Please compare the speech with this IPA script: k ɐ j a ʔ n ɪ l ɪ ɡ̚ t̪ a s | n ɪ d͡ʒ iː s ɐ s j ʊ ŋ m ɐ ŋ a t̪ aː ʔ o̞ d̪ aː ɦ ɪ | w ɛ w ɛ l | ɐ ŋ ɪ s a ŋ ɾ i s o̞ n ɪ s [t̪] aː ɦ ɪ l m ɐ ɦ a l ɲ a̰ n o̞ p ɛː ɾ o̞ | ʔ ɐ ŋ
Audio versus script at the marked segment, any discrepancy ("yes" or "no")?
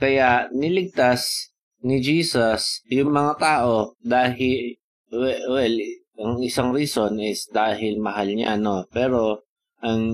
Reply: yes